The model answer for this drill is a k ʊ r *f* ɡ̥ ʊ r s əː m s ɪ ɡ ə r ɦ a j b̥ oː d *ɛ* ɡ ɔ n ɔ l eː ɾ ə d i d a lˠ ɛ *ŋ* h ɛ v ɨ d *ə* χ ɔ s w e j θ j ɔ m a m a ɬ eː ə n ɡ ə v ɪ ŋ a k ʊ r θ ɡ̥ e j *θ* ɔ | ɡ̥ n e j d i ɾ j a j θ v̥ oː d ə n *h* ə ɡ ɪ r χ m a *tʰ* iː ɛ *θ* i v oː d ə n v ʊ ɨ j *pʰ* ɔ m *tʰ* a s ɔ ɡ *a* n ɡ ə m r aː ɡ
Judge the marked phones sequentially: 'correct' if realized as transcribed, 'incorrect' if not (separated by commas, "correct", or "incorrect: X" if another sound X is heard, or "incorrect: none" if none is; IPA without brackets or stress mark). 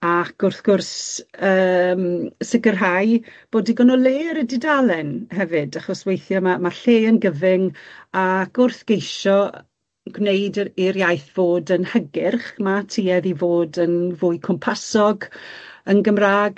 incorrect: θ, incorrect: i, incorrect: n, incorrect: a, incorrect: ʃ, correct, correct, incorrect: ð, incorrect: kʰ, incorrect: pʰ, incorrect: ə